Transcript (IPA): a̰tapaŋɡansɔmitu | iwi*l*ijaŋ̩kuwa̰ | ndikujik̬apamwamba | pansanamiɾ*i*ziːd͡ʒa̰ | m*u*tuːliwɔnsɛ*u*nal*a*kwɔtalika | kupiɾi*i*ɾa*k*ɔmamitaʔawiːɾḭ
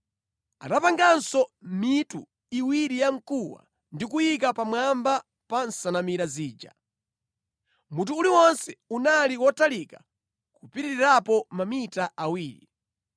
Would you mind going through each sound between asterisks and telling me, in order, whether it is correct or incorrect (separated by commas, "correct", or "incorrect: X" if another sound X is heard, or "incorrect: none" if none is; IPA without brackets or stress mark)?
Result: incorrect: ɾ, incorrect: a, correct, correct, incorrect: i, correct, incorrect: p